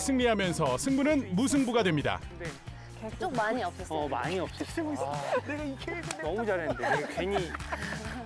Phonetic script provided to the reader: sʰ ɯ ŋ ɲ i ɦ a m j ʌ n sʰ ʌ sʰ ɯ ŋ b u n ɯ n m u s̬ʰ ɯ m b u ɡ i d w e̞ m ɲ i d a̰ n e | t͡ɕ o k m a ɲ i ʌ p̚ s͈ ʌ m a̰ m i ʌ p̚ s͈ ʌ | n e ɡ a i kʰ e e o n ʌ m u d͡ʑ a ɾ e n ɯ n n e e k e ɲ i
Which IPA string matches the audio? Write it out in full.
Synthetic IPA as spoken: sʰ ɯ ŋ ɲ i ɦ a m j ʌ n sʰ ʌ sʰ ɯ ŋ b u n ɯ n m u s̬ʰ ɯ ŋ b u ɡ a d w e̞ m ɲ i d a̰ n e | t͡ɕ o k m a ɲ i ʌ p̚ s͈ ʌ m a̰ ɲ i ʌ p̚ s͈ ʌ | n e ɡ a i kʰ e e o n ʌ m u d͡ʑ a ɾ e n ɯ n d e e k e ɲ i

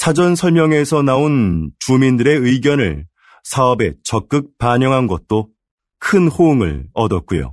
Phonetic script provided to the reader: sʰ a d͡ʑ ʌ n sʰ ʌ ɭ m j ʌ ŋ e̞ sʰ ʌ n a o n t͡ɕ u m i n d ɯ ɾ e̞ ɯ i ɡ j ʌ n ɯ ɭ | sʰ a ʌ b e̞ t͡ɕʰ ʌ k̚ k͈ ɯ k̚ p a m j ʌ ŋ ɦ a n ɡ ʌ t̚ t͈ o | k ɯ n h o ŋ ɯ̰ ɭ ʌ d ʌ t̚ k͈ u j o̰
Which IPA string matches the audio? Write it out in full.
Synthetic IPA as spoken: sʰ a d͡ʑ ʌ n sʰ ʌ ɭ m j ʌ ŋ e̞ sʰ ʌ n a o n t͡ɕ u m i n d ɯ ɾ e̞ ɯ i ɡ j ʌ n ɯ ɭ | sʰ a ʌ b e̞ t͡ɕ ʌ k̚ k͈ ɯ k̚ p a ɲ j ʌ ŋ ɦ a n ɡ ʌ t̚ t͈ o | kʰ ɯ n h o ŋ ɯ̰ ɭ ʌ d ʌ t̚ k͈ u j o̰

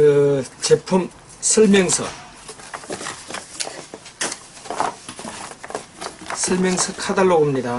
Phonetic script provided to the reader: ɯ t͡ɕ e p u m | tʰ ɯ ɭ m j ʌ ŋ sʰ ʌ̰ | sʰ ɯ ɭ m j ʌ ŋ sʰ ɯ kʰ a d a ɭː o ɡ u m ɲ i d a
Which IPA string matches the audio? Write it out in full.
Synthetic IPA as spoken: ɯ t͡ɕ e pʰ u m | sʰ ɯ ɭ m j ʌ ŋ sʰ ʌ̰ | sʰ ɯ ɭ m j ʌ ŋ sʰ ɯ kʰ a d a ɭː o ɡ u m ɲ i d a

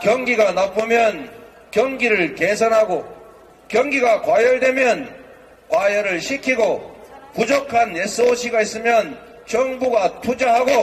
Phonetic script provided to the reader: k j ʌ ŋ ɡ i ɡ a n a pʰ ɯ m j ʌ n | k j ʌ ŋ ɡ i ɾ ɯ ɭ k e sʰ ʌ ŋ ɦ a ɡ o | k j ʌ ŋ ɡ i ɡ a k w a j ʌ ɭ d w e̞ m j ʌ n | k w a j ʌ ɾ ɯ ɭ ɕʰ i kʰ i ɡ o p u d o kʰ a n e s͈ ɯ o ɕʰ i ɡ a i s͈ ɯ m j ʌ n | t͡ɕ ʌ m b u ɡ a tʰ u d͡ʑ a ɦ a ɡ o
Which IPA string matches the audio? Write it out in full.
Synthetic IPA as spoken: k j ʌ ŋ ɡ i ɡ a n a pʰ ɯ m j ʌ n | k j ʌ ŋ ɡ i ɾ ɯ ɭ k e sʰ ʌ n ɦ a ɡ o | k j ʌ ŋ ɡ i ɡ a k w a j ʌ ɭ d w e̞ m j ʌ n | k w a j ʌ ɾ ɯ ɭ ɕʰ i kʰ i ɡ o p u d͡ʑ o kʰ a n e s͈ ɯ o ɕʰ i ɡ a i s͈ ɯ m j ʌ n | t͡ɕ ʌ ŋ b u ɡ a tʰ u d͡ʑ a ɦ a ɡ o

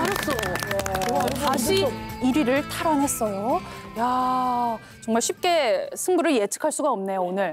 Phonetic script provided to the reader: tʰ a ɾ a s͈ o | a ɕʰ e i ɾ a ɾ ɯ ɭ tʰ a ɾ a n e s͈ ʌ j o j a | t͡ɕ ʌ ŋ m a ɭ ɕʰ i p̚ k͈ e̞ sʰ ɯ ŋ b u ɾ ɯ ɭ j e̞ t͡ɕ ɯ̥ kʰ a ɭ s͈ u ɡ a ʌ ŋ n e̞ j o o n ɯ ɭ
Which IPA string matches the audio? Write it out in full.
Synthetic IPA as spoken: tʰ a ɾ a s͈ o | a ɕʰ i i ɾ i ɾ ɯ ɭ tʰ a ɾ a n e s͈ ʌ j o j a | t͡ɕ ʌ ŋ m a ɭ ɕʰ i p̚ k͈ e̞ sʰ ɯ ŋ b u ɾ ɯ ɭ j e̞ t͡ɕʰ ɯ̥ kʰ a ɭ s͈ u ɡ a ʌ m n e̞ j o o n ɯ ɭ

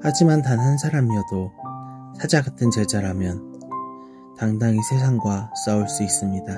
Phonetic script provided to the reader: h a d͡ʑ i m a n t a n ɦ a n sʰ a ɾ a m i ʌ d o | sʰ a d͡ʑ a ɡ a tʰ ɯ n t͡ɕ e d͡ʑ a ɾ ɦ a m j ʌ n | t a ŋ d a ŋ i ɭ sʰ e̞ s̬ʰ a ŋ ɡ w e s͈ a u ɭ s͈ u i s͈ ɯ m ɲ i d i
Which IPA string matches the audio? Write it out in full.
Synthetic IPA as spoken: h a d͡ʑ i m a n t a n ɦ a n sʰ a ɾ a m i ʌ d o | sʰ a d͡ʑ a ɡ a tʰ ɯ n t͡ɕ e d͡ʑ a ɾ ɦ a m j ʌ n | t a ŋ d a ŋ i sʰ e̞ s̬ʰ a ŋ ɡ w a s͈ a u ɭ s͈ u i s͈ ɯ m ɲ i d a

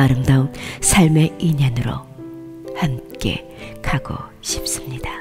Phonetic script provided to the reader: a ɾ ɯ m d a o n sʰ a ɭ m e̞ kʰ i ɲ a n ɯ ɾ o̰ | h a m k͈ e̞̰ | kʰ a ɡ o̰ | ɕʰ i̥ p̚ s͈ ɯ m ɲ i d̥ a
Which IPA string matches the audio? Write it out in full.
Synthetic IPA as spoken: a ɾ ɯ m d a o n sʰ a ɭ m e̞ i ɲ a n ɯ ɾ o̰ | h a m k͈ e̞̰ | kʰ a ɡ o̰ | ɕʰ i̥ p̚ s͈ ɯ m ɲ i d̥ a

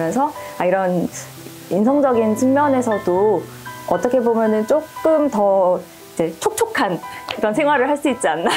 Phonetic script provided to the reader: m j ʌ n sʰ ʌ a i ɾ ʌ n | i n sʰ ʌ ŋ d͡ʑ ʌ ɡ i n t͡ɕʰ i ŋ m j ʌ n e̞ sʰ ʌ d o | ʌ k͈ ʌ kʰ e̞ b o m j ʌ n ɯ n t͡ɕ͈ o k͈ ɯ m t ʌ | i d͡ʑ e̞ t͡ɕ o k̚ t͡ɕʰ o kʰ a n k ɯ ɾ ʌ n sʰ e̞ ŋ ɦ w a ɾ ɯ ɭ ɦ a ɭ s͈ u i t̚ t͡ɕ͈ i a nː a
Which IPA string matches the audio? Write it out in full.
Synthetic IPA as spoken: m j ʌ n sʰ ʌ a i ɾ ʌ n | i n sʰ ʌ ŋ d͡ʑ ʌ ɡ i n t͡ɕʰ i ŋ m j ʌ n e̞ sʰ ʌ d o | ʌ t͈ ʌ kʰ e̞ b o m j ʌ n ɯ n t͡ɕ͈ o k͈ ɯ m t ʌ | i d͡ʑ e̞ t͡ɕʰ o k̚ t͡ɕʰ o kʰ a n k ɯ ɾ ʌ n sʰ e̞ ŋ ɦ w a ɾ ɯ ɭ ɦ a ɭ s͈ u i t̚ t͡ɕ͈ i a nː a

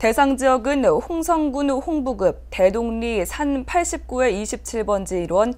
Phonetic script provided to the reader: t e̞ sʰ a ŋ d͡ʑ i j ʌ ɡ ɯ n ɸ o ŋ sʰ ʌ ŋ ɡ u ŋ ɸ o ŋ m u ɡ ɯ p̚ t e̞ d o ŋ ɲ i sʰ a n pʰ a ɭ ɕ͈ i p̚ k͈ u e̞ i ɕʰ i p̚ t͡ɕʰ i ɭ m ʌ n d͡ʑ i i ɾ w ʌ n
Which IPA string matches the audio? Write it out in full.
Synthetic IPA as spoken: t e̞ sʰ a ŋ d͡ʑ i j ʌ ɡ ɯ n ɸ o ŋ sʰ ʌ ŋ ɡ u n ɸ o ŋ b u ɡ ɯ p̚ t e̞ d o ŋ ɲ i sʰ a n pʰ a ɭ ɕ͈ i p̚ k͈ u e̞ i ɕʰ i p̚ t͡ɕʰ i ɭ b ʌ n d͡ʑ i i ɾ w ʌ n

